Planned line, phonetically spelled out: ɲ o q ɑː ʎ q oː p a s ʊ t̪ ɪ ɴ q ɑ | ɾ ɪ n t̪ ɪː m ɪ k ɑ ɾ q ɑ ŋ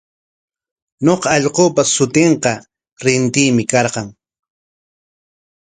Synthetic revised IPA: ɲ o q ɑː ʎ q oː p a s ʊ t̪ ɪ ɴ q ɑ | ɾ ɪ n t̪ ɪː m ɪ k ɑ ɾ q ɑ ŋ